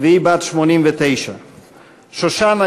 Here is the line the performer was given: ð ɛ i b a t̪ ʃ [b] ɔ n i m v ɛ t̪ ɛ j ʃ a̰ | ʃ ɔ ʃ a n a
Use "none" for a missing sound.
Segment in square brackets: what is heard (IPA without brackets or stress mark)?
m